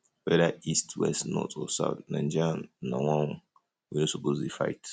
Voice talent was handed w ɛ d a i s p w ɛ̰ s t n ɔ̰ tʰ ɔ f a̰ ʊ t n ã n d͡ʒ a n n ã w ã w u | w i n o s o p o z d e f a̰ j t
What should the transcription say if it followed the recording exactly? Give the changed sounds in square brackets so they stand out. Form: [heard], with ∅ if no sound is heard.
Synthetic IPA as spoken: w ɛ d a i s [t] w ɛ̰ s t n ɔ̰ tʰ ɔ [s] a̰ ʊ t n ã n d͡ʒ a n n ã w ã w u | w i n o s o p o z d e f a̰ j t